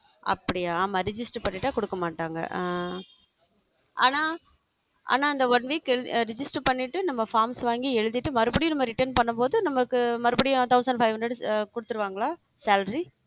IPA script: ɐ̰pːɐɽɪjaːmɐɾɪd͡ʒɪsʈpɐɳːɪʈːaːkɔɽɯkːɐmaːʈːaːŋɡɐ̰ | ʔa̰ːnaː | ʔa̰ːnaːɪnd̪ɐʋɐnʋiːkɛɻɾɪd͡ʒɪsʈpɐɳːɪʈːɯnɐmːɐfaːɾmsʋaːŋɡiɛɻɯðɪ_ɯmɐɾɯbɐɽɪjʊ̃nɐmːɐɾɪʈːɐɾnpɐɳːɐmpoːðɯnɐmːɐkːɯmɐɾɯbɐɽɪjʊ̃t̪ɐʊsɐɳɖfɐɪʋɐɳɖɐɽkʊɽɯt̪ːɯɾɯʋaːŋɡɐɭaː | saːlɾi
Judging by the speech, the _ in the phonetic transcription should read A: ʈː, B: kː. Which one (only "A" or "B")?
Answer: A